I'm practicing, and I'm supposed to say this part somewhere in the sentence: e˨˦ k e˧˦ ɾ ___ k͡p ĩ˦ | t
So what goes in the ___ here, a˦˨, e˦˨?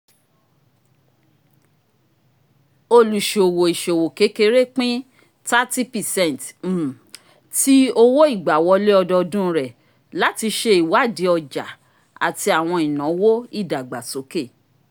e˦˨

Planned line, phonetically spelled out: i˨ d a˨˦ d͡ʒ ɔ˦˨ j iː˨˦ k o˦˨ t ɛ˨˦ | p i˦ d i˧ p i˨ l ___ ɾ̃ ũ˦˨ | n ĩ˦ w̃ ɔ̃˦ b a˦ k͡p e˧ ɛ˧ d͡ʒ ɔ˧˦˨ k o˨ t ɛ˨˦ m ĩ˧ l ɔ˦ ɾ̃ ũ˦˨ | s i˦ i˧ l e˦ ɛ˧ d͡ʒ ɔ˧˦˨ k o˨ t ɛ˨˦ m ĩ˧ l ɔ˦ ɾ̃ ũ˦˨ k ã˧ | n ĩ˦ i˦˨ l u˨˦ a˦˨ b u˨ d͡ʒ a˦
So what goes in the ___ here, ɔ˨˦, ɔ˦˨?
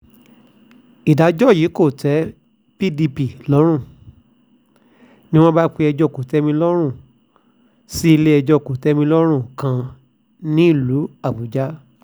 ɔ˨˦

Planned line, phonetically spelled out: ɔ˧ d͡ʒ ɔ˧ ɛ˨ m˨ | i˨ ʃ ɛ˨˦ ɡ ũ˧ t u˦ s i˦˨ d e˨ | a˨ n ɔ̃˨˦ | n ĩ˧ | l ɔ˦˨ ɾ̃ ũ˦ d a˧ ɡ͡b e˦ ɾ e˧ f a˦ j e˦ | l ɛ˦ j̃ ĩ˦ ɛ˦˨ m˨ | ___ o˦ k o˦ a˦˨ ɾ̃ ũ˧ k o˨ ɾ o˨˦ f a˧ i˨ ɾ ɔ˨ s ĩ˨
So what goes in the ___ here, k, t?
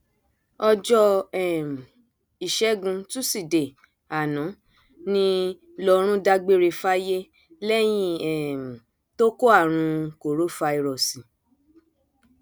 t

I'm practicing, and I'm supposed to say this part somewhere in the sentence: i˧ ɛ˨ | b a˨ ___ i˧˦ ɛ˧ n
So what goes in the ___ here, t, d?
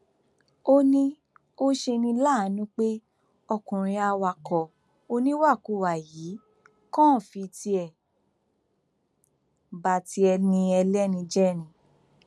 t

